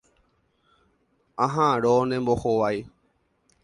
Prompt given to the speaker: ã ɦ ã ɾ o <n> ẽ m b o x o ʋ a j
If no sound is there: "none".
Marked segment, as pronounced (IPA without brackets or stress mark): n